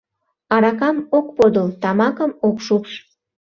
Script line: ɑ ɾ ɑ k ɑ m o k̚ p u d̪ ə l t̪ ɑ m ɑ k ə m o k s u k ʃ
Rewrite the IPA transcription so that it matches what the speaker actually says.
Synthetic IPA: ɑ ɾ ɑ k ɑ m o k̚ p o d̪ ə l t̪ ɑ m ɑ k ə m o k ʃ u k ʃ